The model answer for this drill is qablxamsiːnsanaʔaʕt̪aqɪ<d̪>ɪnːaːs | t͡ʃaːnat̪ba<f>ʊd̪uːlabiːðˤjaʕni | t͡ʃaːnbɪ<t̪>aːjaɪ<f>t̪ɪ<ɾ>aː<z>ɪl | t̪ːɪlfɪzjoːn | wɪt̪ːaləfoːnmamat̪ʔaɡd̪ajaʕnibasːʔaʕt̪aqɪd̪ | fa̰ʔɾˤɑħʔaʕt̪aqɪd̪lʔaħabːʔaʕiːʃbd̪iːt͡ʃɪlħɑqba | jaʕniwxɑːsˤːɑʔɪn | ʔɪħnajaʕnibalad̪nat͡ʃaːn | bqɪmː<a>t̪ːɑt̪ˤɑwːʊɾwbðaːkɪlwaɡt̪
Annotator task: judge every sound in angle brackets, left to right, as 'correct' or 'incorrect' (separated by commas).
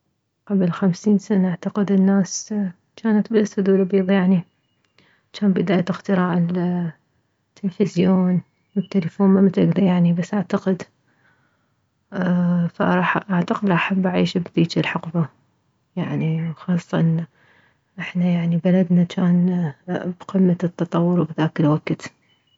correct, incorrect, incorrect, incorrect, correct, incorrect, correct